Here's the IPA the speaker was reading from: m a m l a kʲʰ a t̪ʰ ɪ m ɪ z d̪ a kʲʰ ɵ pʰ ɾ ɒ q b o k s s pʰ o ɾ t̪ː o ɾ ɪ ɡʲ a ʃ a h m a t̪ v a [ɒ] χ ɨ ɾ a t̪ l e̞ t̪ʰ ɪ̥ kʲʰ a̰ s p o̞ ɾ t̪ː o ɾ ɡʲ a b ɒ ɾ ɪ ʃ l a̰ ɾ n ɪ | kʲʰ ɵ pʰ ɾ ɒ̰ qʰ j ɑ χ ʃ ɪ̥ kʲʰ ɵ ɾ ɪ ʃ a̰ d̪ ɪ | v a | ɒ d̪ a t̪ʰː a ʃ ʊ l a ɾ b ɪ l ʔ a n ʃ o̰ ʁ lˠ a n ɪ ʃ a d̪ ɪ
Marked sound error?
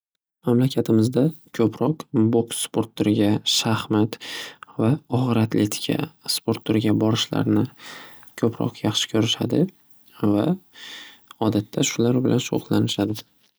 no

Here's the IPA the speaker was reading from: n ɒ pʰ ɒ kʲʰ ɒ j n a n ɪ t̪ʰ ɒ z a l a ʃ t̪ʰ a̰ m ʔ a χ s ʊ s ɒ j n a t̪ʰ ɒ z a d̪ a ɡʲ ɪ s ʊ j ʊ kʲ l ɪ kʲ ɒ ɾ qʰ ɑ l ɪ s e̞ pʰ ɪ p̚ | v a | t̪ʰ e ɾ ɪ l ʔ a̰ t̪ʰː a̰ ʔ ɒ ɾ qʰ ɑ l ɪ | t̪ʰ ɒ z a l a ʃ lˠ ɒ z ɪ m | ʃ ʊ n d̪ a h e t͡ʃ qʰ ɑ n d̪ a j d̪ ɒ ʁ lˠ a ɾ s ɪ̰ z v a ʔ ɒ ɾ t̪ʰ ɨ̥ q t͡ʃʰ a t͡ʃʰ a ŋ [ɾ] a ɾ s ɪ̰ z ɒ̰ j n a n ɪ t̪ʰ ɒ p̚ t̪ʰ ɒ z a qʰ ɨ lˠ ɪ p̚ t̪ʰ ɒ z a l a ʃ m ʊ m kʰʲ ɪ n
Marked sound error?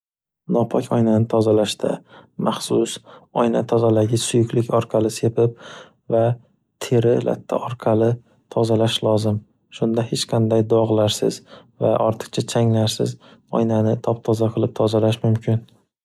yes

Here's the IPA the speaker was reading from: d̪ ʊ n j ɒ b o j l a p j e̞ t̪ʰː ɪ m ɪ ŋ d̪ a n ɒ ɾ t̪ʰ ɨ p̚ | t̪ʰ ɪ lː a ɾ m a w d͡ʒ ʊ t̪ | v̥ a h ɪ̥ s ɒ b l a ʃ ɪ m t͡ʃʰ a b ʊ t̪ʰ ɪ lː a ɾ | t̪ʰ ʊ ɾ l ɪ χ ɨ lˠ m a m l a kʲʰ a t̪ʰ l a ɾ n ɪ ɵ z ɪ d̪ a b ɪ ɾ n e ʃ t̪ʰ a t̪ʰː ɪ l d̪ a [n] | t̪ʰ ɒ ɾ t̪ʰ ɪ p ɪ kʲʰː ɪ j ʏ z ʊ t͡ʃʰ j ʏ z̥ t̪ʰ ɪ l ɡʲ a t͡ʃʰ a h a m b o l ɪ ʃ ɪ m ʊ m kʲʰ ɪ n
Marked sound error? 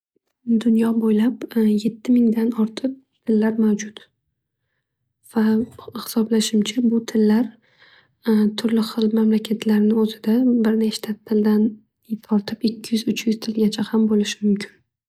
no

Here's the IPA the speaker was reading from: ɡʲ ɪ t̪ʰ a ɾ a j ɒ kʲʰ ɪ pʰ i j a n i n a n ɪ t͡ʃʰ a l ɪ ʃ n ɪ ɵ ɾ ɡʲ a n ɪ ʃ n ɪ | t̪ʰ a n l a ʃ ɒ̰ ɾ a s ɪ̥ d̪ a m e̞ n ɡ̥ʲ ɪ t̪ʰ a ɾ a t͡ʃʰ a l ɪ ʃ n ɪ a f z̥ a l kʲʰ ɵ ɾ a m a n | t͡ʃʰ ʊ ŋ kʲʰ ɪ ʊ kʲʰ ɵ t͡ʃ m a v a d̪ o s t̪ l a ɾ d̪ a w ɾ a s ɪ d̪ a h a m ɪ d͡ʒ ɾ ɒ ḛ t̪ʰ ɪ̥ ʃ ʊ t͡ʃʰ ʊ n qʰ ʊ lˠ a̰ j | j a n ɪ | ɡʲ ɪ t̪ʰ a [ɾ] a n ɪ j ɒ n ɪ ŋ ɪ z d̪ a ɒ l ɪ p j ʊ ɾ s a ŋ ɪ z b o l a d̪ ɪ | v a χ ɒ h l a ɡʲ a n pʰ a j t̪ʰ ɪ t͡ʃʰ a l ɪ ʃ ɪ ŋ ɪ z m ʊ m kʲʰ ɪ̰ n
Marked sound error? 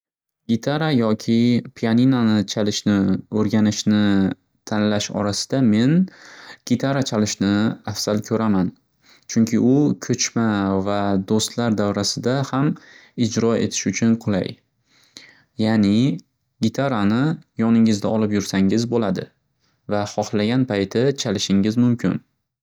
no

